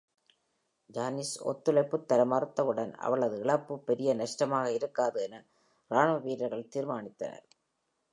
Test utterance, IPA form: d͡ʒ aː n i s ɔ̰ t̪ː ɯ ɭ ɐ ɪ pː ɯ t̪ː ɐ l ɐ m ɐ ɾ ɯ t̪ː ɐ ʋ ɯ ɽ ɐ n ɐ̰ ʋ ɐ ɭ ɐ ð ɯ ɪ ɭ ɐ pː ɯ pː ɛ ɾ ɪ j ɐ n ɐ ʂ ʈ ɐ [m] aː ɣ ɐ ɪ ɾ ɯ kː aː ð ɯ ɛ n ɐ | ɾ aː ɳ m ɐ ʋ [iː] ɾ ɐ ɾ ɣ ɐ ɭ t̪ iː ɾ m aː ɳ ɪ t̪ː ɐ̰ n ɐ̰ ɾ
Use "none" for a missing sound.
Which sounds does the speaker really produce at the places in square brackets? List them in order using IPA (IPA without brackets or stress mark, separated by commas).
m, iː